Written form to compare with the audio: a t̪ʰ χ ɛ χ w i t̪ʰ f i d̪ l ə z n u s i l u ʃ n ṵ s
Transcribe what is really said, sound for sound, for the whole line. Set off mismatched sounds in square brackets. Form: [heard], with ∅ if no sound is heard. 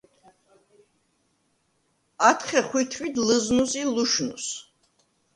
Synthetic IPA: a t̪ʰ χ ɛ χ w i t̪ʰ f i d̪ l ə z n u s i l u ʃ n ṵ s